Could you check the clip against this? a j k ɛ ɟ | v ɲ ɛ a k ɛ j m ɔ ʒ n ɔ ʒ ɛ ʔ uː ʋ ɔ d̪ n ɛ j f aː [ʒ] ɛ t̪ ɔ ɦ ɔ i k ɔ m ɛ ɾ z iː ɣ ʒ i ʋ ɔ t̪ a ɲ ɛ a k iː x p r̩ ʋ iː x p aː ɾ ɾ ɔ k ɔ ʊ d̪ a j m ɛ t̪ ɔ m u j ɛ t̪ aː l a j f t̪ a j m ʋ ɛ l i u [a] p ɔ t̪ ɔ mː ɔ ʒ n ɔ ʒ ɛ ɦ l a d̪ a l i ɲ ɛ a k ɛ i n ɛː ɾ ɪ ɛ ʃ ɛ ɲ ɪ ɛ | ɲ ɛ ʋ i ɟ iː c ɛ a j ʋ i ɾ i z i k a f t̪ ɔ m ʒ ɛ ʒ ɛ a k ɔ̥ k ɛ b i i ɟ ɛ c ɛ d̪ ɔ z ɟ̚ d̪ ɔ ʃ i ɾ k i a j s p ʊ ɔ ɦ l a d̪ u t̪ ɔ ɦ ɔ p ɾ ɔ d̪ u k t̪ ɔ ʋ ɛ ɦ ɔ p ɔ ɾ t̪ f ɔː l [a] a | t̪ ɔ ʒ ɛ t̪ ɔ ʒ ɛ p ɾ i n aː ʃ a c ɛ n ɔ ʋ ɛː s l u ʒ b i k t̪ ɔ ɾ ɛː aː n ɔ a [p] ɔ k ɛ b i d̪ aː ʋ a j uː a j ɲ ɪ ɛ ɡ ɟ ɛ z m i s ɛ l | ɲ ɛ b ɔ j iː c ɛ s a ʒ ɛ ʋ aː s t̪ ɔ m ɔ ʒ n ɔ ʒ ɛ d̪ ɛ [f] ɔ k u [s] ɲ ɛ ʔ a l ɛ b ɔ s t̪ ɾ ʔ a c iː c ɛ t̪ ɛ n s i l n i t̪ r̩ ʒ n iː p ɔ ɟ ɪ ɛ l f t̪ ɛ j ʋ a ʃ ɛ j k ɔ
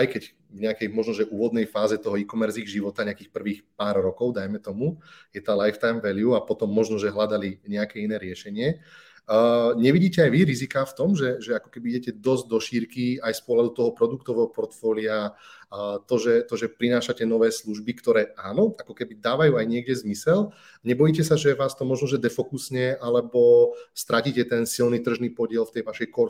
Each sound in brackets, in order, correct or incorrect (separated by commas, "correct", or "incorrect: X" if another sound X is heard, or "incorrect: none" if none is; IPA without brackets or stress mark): incorrect: z, correct, incorrect: i, incorrect: k, correct, correct